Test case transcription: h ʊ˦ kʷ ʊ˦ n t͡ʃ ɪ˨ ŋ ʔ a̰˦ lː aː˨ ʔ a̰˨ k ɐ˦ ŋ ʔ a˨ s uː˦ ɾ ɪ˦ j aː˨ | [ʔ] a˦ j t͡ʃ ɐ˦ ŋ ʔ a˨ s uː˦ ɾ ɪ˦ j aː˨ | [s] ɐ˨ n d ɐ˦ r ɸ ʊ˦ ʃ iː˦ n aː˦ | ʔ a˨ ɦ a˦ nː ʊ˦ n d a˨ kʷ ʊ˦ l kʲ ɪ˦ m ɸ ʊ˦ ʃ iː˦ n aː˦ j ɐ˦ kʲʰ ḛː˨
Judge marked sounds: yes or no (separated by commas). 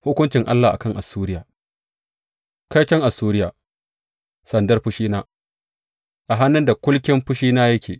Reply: no, yes